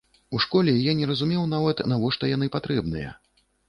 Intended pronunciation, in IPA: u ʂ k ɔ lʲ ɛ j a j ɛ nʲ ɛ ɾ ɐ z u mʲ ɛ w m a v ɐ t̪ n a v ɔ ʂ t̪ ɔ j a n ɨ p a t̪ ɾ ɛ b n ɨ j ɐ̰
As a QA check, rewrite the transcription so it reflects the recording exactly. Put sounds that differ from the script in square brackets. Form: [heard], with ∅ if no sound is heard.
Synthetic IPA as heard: u ʂ k ɔ lʲ ɛ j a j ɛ nʲ ɛ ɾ ɐ z u mʲ ɛ w [n] a v ɐ t̪ n a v ɔ ʂ t̪ ɔ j a n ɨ p a t̪ ɾ ɛ b n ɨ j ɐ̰